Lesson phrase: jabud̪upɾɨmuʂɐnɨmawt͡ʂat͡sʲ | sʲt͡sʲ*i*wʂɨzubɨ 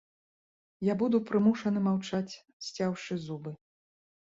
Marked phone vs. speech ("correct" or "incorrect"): incorrect